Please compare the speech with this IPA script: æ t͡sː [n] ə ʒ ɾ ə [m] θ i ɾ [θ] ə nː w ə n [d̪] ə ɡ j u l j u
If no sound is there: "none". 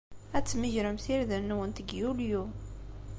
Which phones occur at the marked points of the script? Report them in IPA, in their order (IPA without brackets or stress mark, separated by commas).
m, m, ð, t̪